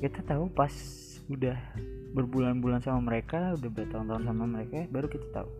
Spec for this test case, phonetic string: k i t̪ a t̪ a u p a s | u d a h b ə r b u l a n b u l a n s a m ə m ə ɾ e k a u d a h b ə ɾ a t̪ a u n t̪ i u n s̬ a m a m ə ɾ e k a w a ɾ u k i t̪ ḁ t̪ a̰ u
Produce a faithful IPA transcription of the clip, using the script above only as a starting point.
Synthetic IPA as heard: k i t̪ a t̪ a u p a s | u d a h b ə r b u l a n b u l a n s a m a m ə ɾ e k a u d a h b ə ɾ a t̪ a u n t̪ a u n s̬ a m a m ə ɾ e k a b a ɾ u k i t̪ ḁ t̪ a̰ u